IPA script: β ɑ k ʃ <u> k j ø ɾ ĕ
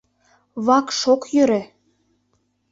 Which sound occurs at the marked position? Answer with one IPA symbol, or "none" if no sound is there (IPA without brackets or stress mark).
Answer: o